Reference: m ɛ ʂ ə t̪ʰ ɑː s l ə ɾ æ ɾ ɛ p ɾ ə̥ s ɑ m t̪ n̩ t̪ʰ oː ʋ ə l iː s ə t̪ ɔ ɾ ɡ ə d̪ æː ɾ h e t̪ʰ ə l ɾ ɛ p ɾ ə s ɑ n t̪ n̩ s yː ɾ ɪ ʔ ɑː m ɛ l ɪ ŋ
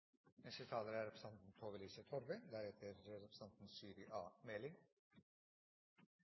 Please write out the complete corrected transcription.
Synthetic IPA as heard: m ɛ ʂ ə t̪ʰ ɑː l ə ɾ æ ɾ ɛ p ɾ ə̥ s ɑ n t̪ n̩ t̪ʰ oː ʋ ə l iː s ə t̪ʰ ɔ ɾ b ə d̪ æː ɾ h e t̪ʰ ə ɾ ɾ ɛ p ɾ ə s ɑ n t̪ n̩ s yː ɾ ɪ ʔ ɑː m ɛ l ɪ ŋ